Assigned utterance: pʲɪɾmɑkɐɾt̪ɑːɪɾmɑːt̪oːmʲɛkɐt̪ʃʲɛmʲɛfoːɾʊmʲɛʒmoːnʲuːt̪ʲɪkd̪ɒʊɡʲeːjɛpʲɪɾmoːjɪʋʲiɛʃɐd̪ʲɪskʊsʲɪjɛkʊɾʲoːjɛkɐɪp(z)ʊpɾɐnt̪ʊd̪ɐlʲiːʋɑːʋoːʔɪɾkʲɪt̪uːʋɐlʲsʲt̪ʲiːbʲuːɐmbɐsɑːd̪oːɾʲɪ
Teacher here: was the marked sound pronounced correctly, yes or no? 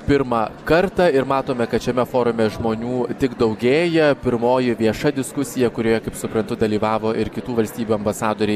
no